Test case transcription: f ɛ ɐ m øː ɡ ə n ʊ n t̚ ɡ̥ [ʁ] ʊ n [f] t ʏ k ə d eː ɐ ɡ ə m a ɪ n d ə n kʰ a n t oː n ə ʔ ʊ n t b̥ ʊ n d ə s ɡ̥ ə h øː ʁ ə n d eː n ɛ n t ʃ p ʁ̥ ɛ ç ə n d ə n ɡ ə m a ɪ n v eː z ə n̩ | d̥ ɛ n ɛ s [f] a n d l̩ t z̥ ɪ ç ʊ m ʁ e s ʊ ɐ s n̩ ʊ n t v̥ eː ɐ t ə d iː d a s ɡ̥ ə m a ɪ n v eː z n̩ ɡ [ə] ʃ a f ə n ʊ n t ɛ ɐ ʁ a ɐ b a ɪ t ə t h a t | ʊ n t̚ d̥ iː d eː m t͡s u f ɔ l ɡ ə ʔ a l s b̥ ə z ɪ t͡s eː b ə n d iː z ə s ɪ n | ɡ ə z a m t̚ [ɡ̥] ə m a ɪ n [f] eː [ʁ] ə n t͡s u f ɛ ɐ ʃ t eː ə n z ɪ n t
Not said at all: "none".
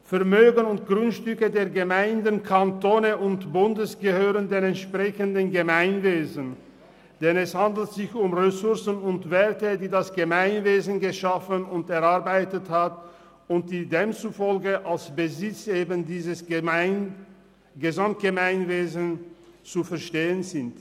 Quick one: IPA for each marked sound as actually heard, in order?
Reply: ʁ, ʃ, h, ə, ɡ̥, v, z

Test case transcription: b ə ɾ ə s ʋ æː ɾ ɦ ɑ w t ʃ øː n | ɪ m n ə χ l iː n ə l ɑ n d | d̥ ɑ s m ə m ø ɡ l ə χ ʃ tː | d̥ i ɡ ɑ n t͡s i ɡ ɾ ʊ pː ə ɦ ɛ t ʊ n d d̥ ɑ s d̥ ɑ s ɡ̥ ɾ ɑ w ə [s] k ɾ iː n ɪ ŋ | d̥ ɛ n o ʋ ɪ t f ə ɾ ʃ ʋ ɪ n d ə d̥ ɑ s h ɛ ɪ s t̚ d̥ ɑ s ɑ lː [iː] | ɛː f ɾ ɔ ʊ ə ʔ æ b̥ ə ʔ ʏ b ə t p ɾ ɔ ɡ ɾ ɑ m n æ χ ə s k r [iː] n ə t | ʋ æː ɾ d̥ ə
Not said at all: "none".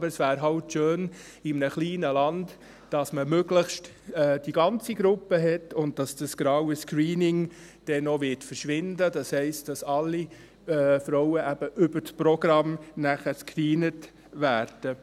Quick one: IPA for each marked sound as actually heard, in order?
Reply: s, i, iː

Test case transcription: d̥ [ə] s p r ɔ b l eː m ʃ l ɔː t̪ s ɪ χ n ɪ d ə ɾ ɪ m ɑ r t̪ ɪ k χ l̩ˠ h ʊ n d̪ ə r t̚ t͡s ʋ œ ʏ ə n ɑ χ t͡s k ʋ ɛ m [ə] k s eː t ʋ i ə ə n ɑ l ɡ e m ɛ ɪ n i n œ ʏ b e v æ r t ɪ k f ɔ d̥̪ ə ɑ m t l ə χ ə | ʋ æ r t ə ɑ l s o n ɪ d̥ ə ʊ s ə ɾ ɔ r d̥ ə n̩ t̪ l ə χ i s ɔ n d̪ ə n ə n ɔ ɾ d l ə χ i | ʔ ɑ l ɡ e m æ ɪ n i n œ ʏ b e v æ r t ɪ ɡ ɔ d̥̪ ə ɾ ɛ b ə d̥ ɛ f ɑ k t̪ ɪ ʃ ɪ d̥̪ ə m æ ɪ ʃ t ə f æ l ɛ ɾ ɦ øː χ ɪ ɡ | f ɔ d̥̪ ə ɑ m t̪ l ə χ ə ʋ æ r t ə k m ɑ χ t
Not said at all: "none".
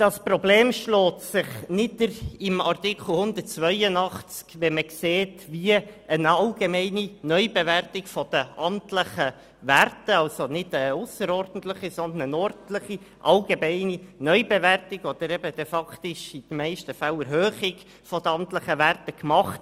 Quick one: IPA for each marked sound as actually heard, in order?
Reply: ɑ, ə

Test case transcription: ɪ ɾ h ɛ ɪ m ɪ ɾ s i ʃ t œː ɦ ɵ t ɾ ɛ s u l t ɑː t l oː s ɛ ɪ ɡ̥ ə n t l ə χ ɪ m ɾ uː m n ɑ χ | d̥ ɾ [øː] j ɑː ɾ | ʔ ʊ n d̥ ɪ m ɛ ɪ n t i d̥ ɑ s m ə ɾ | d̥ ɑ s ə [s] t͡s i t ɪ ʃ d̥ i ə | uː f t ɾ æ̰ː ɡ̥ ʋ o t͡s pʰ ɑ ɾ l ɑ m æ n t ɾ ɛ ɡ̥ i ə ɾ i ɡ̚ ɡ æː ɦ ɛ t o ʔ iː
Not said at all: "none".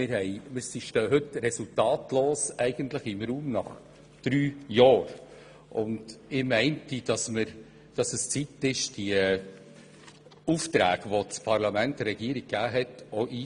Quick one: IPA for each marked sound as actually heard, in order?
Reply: yː, s

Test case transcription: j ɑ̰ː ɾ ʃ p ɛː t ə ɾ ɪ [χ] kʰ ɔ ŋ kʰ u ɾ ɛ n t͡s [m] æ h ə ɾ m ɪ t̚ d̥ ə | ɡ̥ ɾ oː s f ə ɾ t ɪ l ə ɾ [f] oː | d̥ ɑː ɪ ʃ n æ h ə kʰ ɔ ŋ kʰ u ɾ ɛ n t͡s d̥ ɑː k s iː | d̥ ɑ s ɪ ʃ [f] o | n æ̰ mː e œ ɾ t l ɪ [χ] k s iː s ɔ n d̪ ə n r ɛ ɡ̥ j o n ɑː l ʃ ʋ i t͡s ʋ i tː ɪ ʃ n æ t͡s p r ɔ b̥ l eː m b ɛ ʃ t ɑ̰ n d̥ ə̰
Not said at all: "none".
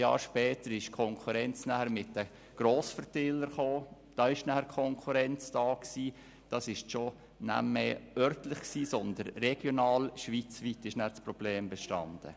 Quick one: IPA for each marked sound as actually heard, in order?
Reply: ʃ, n, χ, ʃ, χ

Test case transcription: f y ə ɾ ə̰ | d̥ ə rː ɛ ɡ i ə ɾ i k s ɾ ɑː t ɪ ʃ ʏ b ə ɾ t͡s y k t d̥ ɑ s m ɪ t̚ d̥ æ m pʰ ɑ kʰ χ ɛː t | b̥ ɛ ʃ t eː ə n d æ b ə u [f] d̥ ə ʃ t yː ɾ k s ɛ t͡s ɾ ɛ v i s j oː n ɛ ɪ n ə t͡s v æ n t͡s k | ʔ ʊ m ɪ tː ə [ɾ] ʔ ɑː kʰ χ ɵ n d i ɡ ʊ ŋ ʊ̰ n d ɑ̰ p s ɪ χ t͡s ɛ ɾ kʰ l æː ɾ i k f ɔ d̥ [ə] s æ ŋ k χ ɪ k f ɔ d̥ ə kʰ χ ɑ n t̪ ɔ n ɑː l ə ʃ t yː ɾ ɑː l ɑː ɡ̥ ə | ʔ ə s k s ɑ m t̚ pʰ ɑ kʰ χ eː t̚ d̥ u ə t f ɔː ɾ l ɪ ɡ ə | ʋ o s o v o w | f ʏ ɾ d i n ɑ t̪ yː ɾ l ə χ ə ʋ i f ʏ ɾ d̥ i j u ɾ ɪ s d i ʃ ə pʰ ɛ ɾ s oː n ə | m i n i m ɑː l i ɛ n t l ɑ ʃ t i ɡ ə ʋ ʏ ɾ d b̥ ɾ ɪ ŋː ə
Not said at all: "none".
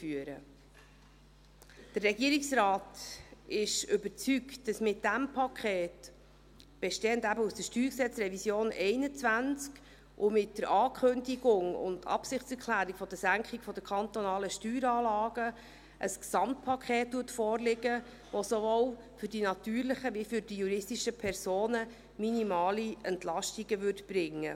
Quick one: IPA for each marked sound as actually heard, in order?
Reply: s, ɾ, ə

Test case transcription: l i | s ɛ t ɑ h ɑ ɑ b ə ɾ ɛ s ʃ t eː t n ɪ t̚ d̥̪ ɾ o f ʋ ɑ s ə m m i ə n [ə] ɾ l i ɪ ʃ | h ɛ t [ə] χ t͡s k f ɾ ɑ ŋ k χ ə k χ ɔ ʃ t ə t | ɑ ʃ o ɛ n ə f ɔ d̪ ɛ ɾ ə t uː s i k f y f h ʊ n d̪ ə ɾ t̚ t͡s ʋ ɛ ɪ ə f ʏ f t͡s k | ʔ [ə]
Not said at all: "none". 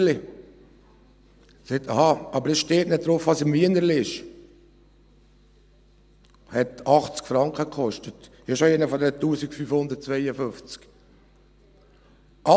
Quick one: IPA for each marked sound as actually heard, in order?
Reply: ə, ɑ, ɑ

